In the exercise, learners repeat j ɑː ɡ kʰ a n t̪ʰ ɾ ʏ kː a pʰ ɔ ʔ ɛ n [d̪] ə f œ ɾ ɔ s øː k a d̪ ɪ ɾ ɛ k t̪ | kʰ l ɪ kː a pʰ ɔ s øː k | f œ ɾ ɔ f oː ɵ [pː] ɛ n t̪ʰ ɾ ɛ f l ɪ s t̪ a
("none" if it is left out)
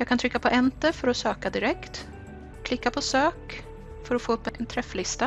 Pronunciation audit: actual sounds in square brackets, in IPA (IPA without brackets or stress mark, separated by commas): t̪, pː